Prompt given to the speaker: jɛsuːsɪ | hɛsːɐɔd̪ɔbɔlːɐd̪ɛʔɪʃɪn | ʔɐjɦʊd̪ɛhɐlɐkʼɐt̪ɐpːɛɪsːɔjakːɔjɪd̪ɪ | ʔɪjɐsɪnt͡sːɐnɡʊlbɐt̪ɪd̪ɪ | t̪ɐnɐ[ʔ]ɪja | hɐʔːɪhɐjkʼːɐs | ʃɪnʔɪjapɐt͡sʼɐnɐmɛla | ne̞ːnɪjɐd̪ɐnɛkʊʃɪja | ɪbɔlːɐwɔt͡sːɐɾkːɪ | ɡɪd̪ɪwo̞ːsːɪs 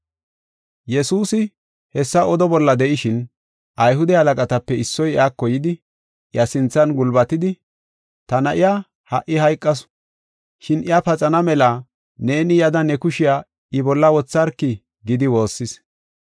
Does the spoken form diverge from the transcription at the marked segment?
no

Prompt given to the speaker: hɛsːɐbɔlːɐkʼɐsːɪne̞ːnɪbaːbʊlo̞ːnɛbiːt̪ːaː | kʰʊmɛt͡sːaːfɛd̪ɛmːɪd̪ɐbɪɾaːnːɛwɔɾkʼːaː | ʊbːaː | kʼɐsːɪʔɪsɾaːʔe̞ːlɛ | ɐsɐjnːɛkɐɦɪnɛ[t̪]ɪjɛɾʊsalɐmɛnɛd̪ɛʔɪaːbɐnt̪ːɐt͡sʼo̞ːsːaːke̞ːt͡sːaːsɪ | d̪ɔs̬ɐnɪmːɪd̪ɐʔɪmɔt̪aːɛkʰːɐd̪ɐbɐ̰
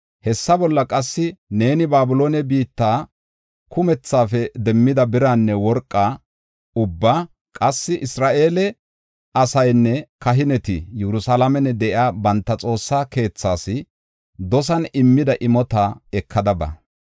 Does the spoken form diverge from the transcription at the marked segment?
no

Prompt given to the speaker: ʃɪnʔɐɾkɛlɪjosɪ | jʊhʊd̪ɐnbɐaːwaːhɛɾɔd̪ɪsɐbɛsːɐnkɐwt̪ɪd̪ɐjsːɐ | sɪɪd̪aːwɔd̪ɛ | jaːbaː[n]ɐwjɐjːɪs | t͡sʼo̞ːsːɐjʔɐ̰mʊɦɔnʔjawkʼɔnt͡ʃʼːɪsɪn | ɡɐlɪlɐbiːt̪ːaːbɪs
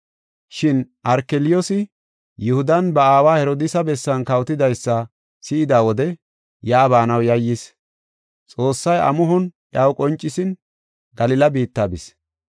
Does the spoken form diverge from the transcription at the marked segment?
no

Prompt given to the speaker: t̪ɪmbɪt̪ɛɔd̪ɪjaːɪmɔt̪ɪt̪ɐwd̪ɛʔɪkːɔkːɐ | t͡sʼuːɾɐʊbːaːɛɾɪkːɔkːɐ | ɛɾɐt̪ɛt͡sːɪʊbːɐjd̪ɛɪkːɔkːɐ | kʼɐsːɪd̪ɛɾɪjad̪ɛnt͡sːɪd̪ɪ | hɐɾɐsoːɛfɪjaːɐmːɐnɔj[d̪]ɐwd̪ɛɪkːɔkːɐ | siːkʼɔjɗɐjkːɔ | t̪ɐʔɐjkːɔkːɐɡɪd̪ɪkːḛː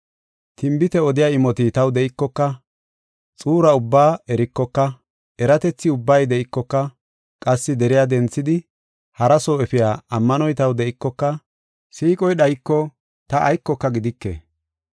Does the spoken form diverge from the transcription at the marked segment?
yes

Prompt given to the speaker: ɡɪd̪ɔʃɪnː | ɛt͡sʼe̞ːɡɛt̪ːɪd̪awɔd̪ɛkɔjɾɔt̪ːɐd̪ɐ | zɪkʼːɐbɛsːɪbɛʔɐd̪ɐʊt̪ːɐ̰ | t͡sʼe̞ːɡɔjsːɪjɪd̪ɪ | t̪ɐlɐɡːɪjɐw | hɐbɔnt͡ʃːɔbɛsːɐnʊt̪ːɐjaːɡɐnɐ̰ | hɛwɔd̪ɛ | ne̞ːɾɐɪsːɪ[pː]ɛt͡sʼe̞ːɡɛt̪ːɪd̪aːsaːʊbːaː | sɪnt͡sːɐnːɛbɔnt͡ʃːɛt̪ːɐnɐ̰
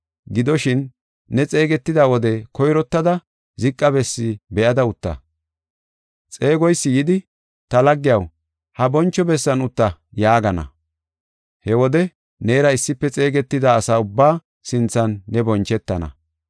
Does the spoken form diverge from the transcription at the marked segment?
no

